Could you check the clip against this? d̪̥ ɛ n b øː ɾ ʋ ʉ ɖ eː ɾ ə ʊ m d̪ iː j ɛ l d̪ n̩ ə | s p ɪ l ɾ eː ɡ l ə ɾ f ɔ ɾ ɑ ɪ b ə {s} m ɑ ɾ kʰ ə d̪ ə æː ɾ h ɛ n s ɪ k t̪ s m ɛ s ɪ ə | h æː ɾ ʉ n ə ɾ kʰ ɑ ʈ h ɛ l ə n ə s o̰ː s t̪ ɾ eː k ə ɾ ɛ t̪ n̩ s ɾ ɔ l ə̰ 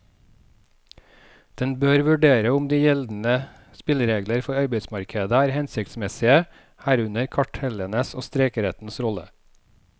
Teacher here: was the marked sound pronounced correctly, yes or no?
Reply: yes